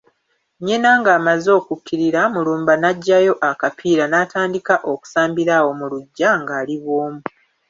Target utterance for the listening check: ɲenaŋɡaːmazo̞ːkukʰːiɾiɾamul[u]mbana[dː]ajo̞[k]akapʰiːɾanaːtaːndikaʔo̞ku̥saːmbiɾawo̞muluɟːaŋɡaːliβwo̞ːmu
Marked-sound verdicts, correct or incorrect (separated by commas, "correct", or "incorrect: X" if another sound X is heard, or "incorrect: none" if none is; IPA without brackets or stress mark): incorrect: uː, incorrect: ɟː, incorrect: ʔ